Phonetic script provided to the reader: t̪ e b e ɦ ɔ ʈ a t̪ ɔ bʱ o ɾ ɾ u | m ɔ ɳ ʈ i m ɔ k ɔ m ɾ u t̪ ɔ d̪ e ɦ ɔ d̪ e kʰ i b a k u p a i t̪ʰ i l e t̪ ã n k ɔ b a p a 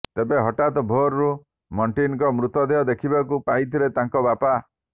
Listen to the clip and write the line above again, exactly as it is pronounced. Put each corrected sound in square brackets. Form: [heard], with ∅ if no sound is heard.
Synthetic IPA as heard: t̪ e b e ɦ ɔ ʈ a t̪ ɔ bʱ o ɾ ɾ u | m ɔ ɳ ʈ i [n] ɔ k ɔ m ɾ u t̪ ɔ d̪ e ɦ ɔ d̪ e kʰ i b a k u p a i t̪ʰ i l e t̪ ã [ŋ] k ɔ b a p a